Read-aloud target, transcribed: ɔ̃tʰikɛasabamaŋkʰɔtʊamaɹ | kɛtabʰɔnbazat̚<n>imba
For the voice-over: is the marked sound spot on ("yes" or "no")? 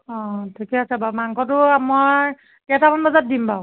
no